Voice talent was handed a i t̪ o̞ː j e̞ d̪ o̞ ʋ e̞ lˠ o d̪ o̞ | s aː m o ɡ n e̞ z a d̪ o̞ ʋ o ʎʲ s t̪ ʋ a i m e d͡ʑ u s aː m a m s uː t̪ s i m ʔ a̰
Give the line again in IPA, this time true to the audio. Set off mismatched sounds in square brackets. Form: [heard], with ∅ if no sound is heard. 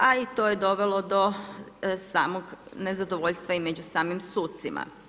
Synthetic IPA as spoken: a i t̪ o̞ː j e̞ d̪ o̞ ʋ e̞ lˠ o d̪ o̞ | s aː m o ɡ n e̞ z a d̪ o̞ ʋ o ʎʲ s t̪ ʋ a i m e d͡ʑ u s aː m [i] m s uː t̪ s i m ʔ a̰